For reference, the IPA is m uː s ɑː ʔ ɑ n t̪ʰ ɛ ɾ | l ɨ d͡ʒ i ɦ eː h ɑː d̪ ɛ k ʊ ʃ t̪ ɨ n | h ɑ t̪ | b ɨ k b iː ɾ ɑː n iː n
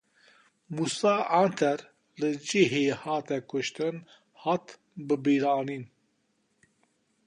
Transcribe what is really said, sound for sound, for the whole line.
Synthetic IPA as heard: m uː s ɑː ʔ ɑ n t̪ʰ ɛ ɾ | l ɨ d͡ʒ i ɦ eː h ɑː t̪ ɛ k ʊ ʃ t̪ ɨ n | h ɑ t̪ | b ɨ b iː ɾ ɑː n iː n